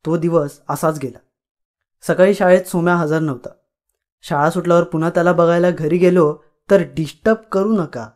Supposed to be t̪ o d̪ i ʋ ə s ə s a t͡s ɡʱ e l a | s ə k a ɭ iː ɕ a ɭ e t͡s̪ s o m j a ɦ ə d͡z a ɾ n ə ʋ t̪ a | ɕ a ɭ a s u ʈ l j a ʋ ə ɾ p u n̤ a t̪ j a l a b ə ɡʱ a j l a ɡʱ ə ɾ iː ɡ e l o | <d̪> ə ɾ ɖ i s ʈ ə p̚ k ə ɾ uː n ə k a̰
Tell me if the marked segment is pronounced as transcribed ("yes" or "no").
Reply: no